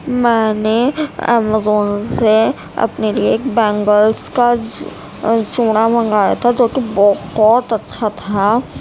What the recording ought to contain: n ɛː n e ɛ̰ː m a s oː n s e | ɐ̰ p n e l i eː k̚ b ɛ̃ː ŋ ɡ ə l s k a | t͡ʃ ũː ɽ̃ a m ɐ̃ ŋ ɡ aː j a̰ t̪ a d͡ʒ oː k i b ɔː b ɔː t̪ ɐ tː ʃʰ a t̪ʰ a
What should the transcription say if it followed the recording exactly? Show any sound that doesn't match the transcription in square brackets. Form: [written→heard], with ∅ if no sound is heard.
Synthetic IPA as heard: [n→m] ɛː n e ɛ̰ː m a [s→z] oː n s e | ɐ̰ p n e l i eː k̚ b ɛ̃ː ŋ ɡ ə l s k a | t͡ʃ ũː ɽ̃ a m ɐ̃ ŋ ɡ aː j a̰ [t̪→t̪ʰ] a d͡ʒ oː k i b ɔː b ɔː t̪ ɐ tː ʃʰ a t̪ʰ a